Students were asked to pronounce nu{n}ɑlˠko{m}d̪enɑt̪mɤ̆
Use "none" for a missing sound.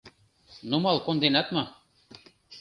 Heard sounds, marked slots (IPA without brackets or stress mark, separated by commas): m, n